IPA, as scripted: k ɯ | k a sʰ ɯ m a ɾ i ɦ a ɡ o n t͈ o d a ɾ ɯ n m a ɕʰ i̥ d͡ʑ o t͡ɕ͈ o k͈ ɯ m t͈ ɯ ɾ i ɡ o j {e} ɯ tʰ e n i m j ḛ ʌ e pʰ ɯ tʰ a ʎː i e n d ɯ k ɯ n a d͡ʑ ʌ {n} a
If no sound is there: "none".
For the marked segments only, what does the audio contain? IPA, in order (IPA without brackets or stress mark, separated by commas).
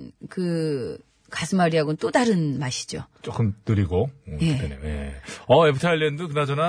e, n